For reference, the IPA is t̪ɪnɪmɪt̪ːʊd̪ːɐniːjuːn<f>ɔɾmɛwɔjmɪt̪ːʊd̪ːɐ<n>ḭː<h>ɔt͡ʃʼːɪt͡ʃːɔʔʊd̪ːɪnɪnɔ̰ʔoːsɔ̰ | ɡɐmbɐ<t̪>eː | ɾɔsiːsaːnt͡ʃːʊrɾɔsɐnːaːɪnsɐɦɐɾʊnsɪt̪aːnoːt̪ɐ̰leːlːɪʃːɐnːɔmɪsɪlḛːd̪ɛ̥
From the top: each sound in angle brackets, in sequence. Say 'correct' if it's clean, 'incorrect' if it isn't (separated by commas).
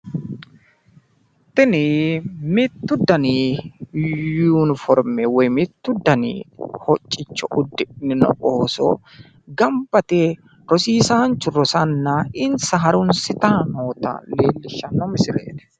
correct, correct, correct, correct